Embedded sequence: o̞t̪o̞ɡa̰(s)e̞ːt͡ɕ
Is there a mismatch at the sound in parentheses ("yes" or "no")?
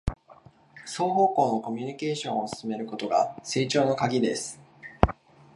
no